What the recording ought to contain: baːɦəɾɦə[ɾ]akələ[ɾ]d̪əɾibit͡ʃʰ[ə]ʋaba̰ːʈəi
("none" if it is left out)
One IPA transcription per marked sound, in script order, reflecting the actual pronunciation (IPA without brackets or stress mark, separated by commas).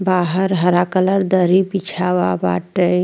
ɾ, ɾ, a